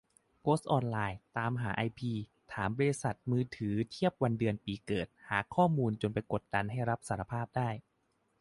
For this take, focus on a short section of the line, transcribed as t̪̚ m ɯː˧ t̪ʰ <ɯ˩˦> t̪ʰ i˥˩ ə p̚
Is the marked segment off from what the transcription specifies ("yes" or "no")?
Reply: yes